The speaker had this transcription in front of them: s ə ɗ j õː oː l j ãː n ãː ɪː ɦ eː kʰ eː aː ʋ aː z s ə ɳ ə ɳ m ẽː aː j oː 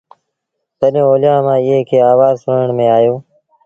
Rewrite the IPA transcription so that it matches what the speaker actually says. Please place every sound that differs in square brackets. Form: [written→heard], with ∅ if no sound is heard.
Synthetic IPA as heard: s ə ɗ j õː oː l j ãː [n→m] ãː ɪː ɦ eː kʰ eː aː ʋ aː z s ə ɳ ə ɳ m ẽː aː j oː